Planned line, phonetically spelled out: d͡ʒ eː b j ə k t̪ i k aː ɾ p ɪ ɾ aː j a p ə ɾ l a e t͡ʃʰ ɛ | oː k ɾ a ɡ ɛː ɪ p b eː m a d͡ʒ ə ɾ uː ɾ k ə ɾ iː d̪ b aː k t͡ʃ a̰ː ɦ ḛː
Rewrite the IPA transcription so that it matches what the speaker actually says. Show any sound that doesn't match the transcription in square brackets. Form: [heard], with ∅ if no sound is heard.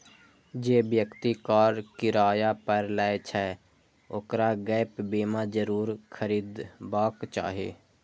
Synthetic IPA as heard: d͡ʒ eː b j ə k t̪ i k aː ɾ [k] ɪ ɾ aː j a p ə ɾ l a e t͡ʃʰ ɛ | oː k ɾ a ɡ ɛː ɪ p b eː m a d͡ʒ ə ɾ uː ɾ [kʰ] ə ɾ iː d̪ b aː k t͡ʃ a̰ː ɦ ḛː